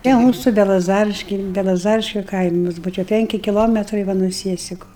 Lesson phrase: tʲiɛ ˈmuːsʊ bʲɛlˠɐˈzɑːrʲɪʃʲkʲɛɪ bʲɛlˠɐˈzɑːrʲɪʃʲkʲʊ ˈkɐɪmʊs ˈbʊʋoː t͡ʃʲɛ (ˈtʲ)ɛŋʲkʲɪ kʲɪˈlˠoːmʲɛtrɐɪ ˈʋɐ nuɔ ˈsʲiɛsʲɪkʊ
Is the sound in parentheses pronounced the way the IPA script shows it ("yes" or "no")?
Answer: no